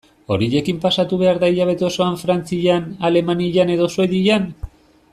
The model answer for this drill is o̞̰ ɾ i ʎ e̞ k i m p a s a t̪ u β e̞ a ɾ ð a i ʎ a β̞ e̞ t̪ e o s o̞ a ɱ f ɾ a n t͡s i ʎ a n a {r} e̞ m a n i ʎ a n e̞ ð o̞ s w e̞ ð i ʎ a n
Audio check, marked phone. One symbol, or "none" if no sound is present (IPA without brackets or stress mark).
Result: l